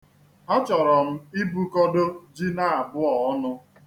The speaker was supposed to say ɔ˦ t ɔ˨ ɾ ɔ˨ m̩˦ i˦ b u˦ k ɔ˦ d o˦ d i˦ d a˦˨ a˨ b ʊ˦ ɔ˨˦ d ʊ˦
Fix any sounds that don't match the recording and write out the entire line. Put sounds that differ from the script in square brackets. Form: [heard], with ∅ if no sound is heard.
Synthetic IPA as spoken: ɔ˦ [t͡ʃ] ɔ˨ ɾ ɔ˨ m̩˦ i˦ b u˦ k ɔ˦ d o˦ [d͡ʒ] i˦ [n] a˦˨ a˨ b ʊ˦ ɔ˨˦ [n] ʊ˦

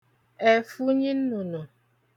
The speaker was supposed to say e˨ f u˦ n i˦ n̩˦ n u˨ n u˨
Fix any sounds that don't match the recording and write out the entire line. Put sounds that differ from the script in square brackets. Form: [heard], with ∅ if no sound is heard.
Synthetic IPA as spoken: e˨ f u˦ [ɲ] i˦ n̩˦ n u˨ n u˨

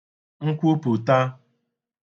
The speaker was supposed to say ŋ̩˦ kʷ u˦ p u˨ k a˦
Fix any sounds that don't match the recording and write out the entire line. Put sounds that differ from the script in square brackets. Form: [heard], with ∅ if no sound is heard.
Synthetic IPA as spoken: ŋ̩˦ kʷ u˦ p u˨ [t] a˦

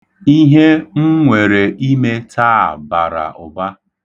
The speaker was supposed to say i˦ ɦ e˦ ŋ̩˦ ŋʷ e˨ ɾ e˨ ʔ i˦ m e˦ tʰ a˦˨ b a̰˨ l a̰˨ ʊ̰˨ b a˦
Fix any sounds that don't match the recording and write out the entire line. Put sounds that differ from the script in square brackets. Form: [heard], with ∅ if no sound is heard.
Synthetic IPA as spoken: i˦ ɦ e˦ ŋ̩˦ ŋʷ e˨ ɾ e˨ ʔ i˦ m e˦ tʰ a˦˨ b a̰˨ [ɾ] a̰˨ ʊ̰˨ b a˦

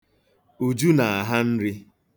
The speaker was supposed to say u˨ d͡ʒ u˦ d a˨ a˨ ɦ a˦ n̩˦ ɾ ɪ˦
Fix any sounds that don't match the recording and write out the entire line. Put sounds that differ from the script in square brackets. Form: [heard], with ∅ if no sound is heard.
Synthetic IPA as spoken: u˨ d͡ʒ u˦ [n] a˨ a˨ ɦ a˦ n̩˦ ɾ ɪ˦

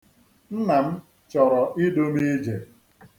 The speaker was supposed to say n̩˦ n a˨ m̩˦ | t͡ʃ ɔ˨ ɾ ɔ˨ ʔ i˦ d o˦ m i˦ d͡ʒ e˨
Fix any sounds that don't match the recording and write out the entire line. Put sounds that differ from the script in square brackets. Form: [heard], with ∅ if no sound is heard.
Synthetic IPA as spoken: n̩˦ n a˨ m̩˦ | t͡ʃ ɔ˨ ɾ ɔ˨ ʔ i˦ d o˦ m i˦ d͡ʒ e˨

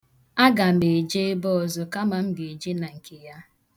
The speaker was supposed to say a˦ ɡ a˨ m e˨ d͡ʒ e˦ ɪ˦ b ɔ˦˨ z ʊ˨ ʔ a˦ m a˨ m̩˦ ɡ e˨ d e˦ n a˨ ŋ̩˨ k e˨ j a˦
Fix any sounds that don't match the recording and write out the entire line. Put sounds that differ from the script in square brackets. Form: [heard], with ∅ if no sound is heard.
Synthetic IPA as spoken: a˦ ɡ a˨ m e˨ d͡ʒ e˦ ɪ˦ b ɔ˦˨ z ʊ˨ [k] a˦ m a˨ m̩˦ ɡ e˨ [d͡ʒ] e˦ n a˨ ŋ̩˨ k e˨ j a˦

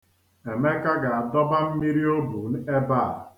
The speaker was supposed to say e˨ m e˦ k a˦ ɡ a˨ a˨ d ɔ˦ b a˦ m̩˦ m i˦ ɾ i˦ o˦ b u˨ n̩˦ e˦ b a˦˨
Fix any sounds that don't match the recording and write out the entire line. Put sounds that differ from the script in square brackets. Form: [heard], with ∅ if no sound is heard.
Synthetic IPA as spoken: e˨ m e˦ k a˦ ɡ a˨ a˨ d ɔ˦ b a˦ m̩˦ m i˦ ɾ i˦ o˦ b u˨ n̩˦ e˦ b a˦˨

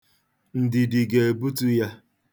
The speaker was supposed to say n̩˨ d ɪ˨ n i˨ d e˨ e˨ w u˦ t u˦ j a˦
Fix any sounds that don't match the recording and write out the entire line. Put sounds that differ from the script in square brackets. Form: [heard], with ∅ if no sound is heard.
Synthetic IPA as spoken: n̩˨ d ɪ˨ [d] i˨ [ɡ] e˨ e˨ [b] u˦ t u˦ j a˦

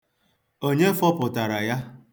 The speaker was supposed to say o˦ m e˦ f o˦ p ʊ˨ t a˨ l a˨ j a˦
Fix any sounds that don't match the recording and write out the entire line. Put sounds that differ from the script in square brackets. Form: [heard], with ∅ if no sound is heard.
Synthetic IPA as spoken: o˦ [ɲ] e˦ f [ɔ˦] p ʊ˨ t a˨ [ɾ] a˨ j a˦

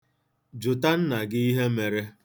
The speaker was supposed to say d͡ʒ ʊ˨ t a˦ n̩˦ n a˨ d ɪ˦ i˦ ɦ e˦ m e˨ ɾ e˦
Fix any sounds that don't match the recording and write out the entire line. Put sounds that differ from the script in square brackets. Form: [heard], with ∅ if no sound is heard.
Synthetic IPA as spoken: d͡ʒ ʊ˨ t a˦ n̩˦ n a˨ [ɡ] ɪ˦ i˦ ɦ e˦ m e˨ ɾ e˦

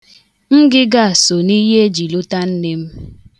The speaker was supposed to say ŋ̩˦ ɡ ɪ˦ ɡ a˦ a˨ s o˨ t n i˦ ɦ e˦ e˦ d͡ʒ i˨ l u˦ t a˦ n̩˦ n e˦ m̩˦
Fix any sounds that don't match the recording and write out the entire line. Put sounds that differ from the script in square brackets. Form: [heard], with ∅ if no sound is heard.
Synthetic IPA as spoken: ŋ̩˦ ɡ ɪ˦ ɡ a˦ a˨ s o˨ [∅] n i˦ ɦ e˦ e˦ d͡ʒ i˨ l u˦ t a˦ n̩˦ n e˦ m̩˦

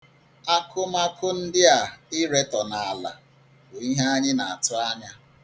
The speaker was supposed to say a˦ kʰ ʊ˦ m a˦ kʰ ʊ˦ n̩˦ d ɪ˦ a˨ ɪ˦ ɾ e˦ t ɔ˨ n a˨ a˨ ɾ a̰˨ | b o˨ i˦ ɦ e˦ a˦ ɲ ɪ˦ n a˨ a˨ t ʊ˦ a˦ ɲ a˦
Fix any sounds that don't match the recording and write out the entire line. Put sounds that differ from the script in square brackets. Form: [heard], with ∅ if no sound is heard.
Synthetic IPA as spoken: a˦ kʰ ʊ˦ m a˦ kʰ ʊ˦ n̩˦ d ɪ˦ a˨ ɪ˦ ɾ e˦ t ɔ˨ n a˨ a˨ [l] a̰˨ | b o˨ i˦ ɦ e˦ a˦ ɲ ɪ˦ n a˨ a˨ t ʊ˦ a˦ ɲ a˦

